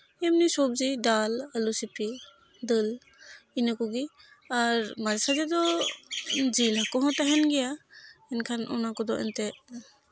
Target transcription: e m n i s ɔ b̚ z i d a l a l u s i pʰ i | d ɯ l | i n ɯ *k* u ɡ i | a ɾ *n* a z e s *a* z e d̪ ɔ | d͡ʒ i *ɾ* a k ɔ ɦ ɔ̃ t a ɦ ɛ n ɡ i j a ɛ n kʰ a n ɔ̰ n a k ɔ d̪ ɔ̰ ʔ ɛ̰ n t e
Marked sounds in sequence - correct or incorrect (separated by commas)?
correct, incorrect, correct, incorrect